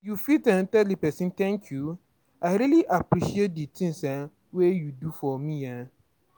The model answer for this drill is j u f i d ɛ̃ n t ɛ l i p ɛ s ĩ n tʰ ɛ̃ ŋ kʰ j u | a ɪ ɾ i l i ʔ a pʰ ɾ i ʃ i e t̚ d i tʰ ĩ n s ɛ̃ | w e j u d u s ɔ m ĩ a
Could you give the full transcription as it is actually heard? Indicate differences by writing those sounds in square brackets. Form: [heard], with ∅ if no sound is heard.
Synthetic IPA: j u f i [t] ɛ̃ n t ɛ l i p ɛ s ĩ n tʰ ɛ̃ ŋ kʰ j u | a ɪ ɾ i l i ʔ a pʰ ɾ i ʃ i e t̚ d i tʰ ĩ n s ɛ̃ | w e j u d u [f] ɔ m ĩ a